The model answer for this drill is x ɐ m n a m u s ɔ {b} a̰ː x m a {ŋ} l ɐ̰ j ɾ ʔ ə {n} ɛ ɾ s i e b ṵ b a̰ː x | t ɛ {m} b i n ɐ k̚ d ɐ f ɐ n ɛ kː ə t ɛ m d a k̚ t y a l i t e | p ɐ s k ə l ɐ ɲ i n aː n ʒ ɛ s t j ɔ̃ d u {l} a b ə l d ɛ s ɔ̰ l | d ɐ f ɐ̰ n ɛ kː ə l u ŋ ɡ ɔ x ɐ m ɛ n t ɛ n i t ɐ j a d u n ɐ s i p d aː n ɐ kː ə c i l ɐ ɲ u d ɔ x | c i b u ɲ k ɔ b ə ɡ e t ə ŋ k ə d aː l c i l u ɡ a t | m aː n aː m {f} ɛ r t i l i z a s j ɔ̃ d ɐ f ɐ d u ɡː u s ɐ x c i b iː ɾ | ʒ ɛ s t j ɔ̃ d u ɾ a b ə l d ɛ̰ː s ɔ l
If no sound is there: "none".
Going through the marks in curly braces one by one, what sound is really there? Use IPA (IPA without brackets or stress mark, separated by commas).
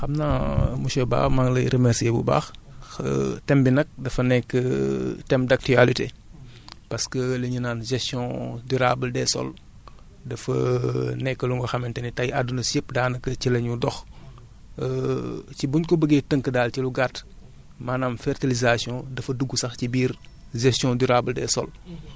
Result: b, ŋ, m, m, ɾ, f